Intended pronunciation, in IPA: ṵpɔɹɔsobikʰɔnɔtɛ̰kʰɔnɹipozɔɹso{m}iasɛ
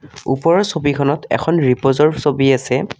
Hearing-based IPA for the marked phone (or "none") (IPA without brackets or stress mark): b